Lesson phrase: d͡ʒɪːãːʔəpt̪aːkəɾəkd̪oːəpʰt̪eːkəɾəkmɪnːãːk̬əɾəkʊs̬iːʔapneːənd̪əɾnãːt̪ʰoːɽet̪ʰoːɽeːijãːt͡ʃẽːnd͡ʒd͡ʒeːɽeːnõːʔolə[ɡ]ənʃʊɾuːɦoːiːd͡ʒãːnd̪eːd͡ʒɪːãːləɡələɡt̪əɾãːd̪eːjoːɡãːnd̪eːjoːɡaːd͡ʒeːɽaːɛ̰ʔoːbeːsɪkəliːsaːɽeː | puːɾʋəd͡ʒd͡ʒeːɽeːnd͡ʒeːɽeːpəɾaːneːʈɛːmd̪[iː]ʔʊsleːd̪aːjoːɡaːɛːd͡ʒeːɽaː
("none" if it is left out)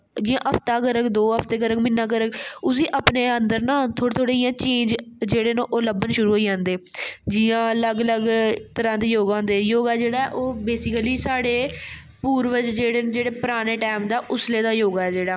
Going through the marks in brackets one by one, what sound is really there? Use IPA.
b, aː

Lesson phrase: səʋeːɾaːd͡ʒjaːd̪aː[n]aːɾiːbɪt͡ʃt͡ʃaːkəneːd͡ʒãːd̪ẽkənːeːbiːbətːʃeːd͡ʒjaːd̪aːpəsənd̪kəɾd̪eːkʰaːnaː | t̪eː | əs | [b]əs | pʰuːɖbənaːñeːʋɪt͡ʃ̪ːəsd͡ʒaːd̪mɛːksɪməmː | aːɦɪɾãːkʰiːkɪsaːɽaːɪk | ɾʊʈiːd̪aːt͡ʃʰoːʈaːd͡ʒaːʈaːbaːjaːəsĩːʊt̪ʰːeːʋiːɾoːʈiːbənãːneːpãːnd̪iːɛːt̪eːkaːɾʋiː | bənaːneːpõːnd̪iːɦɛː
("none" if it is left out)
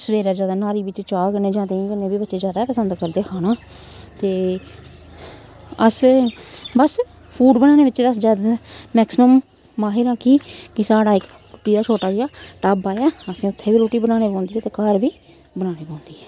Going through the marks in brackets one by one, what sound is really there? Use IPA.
n, b

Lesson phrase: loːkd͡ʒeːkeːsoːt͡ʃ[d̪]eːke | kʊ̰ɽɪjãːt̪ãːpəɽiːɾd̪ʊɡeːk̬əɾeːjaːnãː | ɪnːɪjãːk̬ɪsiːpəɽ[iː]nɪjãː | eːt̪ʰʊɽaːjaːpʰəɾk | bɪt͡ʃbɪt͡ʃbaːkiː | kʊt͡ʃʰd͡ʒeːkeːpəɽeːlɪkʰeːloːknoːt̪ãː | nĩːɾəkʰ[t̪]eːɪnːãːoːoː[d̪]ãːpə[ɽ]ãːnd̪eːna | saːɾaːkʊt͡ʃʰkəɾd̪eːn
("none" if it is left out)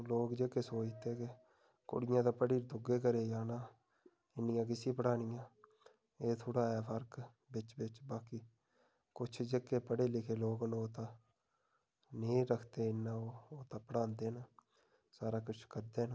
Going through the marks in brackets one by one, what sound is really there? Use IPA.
t̪, aː, t̪, t̪, ɽ

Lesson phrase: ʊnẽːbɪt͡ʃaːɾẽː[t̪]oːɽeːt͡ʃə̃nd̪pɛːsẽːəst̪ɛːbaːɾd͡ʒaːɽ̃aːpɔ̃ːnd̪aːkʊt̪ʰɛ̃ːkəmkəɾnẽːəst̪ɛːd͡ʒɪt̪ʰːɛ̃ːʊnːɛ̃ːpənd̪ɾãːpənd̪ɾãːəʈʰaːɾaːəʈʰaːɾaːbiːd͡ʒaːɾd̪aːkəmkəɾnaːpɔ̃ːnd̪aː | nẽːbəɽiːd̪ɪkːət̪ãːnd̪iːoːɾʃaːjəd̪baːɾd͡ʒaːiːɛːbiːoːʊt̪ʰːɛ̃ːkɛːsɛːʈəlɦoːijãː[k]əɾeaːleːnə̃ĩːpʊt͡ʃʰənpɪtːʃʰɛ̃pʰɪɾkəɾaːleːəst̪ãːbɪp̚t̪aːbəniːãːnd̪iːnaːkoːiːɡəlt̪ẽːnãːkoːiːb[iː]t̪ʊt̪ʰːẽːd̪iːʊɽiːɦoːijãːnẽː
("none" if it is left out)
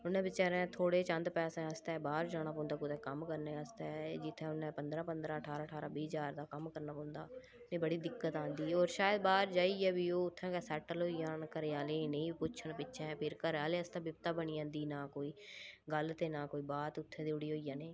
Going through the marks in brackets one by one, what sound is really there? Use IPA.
t̪ʰ, k, aː

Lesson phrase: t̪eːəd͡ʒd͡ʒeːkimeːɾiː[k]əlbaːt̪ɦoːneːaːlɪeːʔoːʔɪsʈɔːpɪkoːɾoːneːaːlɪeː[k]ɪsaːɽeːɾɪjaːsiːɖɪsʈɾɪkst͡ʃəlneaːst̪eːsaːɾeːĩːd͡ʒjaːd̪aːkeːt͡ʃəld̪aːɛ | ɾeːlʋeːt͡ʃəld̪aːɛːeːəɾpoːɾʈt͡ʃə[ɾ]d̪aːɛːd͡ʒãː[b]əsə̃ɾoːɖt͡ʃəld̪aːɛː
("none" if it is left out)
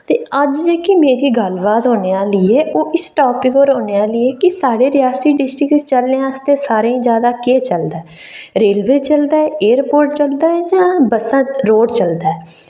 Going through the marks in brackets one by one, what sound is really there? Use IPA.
ɡ, k, l, b

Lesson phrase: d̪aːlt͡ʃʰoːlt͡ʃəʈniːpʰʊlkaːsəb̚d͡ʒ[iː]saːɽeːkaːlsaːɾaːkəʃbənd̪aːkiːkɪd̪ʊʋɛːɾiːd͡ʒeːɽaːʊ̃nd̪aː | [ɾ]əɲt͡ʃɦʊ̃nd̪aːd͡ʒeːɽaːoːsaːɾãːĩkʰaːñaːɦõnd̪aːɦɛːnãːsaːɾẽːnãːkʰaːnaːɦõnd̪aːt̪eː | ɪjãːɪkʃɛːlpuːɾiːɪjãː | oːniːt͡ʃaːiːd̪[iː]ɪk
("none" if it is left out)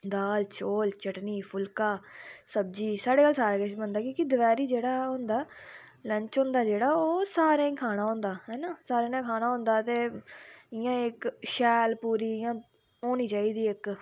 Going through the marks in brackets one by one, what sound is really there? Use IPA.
iː, l, iː

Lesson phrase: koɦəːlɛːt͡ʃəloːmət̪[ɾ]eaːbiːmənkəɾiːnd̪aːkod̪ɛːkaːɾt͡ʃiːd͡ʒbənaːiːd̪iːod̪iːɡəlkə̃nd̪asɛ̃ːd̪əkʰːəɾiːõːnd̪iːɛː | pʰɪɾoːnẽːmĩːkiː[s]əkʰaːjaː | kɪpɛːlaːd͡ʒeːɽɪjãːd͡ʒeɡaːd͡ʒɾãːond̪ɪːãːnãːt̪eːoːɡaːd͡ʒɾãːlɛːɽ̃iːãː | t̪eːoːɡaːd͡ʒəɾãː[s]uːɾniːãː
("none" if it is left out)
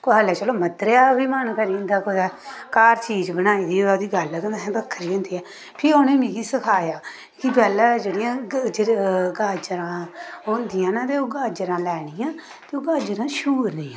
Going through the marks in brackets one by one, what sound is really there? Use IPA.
ɾ, s, ʃ

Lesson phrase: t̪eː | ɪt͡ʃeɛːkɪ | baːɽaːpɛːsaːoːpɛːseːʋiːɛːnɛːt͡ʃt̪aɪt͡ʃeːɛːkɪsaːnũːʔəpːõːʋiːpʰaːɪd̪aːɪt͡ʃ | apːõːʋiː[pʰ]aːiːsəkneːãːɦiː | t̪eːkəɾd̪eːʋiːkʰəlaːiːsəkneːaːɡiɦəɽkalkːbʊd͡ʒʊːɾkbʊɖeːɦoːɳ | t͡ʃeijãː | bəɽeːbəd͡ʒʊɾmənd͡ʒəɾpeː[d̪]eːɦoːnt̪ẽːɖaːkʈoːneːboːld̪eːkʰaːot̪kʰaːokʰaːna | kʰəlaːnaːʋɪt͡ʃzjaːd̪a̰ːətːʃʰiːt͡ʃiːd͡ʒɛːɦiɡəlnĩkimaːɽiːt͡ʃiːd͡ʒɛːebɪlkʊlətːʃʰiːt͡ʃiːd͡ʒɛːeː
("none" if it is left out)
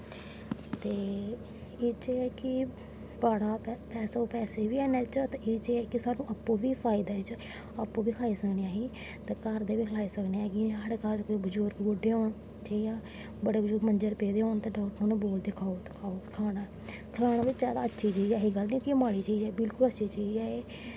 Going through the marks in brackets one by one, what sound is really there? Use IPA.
kʰ, d̪

